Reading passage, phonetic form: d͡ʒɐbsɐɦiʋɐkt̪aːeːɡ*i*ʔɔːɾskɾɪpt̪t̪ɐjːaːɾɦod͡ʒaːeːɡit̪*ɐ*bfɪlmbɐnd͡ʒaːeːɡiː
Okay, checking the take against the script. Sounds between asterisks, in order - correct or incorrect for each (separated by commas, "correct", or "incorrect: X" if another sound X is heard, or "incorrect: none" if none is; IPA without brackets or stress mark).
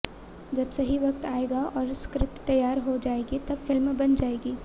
incorrect: a, correct